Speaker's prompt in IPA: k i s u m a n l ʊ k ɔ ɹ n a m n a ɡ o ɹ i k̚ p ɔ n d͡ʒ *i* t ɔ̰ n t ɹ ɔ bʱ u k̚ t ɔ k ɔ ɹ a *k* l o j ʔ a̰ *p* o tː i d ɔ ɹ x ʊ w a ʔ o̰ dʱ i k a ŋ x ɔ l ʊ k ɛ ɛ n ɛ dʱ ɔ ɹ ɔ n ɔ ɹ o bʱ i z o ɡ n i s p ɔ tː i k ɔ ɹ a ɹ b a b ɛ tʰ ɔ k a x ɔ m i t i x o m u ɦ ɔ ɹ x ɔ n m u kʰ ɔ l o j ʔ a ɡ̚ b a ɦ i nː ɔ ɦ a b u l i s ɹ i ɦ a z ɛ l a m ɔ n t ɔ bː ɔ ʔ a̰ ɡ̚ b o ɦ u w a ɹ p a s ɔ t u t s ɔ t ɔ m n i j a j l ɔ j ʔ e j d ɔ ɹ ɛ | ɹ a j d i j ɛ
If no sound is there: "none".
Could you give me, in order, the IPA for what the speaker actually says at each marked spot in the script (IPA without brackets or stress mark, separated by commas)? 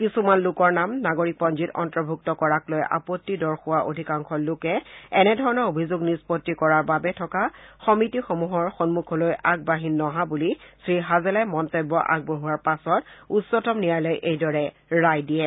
i, k, p